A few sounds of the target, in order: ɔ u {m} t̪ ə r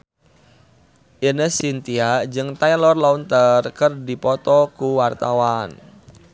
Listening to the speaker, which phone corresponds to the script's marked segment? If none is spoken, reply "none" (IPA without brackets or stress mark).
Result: n